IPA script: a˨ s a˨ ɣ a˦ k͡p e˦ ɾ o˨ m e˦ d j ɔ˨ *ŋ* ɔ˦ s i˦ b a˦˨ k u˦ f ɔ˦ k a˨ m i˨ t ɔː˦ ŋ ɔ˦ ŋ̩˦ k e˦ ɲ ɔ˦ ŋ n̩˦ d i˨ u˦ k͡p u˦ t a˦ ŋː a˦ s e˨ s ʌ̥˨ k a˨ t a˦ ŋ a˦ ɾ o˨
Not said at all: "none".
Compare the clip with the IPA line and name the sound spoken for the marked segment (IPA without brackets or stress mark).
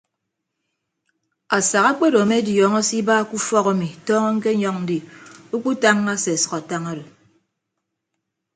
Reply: ŋ